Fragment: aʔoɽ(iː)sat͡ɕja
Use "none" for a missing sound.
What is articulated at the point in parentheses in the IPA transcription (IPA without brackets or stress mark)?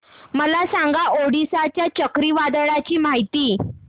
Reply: i